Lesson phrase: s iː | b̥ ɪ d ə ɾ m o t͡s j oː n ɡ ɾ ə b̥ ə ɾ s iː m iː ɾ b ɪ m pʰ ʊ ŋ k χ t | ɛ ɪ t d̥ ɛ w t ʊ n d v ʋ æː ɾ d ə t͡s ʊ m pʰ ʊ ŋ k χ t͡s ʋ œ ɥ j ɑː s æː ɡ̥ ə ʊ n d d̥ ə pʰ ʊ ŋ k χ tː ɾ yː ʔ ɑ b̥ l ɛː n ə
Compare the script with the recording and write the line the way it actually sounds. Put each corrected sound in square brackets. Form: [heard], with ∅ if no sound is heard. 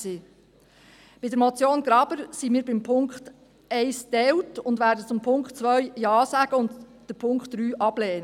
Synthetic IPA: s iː | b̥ ɪ d ə ɾ m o t͡s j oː n ɡ ɾ [ɑ] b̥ ə ɾ s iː m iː ɾ b ɪ m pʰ ʊ ŋ k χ t | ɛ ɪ [s] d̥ ɛ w t ʊ n d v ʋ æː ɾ d ə t͡s ʊ m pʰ ʊ ŋ k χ t͡s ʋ œ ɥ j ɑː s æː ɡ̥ ə ʊ n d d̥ ə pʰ ʊ ŋ k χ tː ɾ yː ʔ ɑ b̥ l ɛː n ə

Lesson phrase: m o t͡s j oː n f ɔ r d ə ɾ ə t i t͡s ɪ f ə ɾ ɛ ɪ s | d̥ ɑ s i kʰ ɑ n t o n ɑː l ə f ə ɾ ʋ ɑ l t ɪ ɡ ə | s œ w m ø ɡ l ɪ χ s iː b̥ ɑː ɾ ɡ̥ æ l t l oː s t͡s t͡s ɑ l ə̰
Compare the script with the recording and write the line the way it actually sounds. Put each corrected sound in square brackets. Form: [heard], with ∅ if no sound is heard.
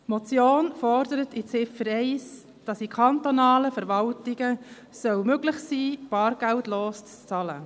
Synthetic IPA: m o t͡s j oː n f ɔ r d ə ɾ ə t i t͡s ɪ f ə ɾ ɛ ɪ s | d̥ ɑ s i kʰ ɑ n t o n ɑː l ə f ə ɾ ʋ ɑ l t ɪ ɡ ə | s œ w m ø ɡ l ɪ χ s iː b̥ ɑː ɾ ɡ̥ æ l t l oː s t͡s t͡s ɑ l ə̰

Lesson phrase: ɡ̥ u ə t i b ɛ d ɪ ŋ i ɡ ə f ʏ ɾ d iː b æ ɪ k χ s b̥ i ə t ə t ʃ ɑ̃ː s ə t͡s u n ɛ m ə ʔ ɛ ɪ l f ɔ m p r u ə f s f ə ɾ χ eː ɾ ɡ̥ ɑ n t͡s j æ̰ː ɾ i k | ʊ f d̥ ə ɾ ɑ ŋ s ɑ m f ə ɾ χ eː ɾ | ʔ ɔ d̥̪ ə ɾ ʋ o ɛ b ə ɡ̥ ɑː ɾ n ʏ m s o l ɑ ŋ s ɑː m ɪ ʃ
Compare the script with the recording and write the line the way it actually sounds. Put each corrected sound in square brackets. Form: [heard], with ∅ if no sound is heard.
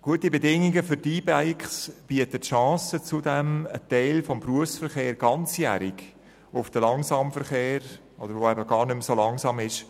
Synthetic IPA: ɡ̥ u ə t i b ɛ d ɪ ŋ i ɡ ə f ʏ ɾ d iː b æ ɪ k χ s b̥ i ə t ə t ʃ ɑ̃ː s ə t͡s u [d] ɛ m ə [t] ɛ ɪ l f ɔ m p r u ə f s f ə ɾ χ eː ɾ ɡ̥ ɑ n t͡s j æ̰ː ɾ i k | ʊ f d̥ ə [l] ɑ ŋ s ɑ m f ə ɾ χ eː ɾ | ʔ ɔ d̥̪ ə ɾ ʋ o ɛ b ə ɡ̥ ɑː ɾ n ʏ m s o l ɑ ŋ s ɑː m ɪ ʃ

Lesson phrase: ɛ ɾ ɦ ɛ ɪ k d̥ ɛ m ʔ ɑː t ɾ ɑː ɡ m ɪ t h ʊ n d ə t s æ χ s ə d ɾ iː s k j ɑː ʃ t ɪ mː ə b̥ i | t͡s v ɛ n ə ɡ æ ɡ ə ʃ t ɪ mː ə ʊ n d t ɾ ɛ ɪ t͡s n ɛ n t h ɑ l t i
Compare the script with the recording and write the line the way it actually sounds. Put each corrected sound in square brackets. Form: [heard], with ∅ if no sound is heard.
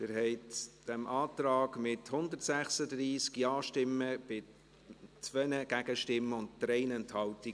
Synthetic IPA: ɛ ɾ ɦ ɛ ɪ [t] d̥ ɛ m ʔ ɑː t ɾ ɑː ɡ m ɪ t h ʊ n d ə t s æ χ s ə d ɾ iː s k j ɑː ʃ t ɪ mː ə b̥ [ɪ] | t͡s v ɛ n ə ɡ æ ɡ ə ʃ t ɪ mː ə ʊ n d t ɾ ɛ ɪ [∅] n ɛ n t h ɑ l t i

